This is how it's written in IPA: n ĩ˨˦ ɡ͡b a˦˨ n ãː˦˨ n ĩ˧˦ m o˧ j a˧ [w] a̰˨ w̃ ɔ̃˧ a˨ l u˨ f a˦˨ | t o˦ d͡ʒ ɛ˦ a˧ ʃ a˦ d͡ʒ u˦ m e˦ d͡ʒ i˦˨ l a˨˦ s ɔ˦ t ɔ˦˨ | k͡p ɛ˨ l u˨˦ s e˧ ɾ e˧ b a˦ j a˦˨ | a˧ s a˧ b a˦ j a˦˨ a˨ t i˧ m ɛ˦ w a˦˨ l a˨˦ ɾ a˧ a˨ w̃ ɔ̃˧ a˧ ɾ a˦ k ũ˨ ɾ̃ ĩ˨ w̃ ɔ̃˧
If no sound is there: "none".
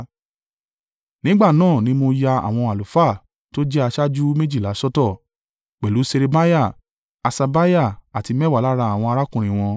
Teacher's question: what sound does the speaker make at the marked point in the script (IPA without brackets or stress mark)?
none